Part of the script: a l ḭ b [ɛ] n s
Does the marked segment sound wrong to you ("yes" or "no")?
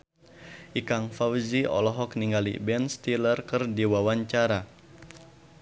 no